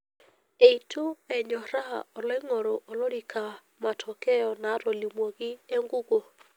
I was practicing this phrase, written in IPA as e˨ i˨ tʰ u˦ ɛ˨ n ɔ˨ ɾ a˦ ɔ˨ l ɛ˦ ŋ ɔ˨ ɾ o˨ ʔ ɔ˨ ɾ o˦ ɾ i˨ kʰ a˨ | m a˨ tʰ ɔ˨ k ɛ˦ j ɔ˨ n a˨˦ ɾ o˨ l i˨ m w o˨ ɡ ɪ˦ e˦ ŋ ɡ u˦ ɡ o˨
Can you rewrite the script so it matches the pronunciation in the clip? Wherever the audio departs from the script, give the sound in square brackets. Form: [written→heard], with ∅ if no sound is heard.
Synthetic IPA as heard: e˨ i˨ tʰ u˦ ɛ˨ [n→ɲ] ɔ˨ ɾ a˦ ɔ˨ l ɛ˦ ŋ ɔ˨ ɾ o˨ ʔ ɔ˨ [ɾ→l] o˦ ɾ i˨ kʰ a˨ | m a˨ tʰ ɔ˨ k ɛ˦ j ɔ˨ n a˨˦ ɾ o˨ l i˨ m w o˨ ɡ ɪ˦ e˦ ŋ ɡ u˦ ɡ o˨